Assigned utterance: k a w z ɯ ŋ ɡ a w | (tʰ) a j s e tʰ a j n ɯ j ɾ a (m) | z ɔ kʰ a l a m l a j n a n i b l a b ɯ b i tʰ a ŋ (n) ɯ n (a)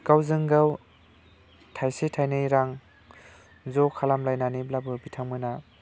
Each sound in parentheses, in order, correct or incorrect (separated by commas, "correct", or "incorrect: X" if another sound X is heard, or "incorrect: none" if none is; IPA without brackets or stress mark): correct, incorrect: ŋ, incorrect: m, correct